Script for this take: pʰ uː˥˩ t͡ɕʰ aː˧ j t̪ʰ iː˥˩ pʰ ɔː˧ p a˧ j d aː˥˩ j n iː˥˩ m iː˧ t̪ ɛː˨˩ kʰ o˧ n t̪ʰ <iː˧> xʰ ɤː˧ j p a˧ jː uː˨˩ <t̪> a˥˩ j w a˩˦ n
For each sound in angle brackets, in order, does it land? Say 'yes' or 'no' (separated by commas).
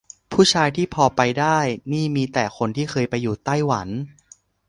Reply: no, yes